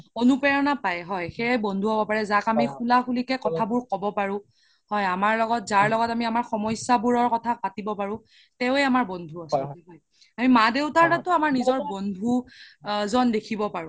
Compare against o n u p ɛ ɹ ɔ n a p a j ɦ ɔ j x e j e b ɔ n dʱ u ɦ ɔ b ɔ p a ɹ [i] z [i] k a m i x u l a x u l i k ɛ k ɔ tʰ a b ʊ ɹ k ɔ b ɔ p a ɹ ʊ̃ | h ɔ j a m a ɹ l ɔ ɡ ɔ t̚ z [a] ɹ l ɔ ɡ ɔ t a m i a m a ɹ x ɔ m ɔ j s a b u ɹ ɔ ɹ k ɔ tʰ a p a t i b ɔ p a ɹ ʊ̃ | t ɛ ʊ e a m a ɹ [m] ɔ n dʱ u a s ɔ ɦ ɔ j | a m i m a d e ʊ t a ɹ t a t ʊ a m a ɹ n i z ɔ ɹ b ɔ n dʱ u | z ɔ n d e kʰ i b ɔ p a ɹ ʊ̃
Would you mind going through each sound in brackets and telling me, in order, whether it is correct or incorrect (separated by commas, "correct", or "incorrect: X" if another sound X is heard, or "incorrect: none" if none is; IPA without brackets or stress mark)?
incorrect: ɛ, incorrect: a, correct, incorrect: b